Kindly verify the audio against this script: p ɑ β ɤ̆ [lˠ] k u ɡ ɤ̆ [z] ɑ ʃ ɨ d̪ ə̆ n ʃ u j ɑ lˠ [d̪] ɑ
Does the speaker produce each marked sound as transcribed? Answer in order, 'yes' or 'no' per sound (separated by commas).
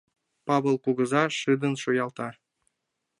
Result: yes, yes, no